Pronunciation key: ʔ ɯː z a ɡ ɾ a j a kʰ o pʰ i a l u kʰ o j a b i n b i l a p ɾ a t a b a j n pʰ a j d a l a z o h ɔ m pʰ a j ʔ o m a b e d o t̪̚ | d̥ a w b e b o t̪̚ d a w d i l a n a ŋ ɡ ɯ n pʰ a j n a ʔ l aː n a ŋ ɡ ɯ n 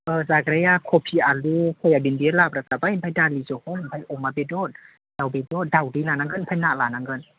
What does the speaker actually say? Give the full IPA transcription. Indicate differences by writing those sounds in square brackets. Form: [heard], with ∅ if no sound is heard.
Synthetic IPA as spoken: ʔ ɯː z a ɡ ɾ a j a kʰ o pʰ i a l u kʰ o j a b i n b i l a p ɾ a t a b a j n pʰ a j d a l [i] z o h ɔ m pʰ a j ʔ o m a b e d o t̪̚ | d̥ a w b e [d] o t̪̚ d a w d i l a n a ŋ ɡ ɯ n pʰ a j n a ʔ l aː n a ŋ ɡ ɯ n